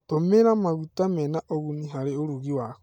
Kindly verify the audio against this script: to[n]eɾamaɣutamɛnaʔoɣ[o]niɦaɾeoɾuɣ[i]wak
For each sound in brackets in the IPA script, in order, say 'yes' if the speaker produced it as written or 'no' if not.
no, no, yes

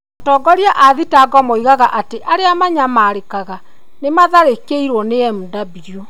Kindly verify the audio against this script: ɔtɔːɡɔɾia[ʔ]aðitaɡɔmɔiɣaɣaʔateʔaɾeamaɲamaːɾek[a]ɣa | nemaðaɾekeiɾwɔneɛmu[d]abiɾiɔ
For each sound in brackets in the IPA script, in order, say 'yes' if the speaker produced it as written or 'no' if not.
yes, yes, yes

